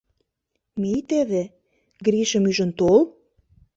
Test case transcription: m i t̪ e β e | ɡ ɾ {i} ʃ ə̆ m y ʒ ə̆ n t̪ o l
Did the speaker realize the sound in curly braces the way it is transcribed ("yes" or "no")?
yes